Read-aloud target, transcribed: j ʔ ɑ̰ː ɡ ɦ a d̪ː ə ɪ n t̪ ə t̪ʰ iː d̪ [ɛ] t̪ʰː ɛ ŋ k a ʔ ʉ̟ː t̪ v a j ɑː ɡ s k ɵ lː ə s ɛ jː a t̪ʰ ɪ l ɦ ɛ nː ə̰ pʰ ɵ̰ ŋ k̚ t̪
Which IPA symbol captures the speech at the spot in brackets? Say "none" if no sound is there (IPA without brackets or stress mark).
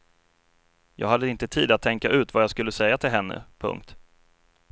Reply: a